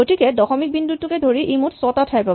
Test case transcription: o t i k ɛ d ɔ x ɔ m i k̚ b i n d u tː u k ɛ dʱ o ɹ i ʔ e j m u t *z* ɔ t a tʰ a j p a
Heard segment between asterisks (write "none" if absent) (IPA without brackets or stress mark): s